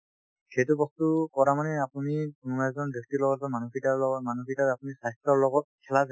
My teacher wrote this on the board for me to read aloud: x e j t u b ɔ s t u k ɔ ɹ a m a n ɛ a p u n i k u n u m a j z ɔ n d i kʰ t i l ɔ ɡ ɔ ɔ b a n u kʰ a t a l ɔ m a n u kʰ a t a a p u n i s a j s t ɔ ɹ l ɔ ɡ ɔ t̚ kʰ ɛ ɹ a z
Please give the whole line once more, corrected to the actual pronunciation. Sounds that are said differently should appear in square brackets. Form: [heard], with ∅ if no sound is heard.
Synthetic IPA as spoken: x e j t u b ɔ s t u k ɔ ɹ a m a n ɛ a p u n i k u n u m a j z ɔ n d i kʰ t i l ɔ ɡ ɔ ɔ [m] a n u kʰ [i] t a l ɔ m a n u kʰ [i] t a a p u n i s a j s t ɔ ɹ l ɔ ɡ ɔ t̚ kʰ ɛ [l] a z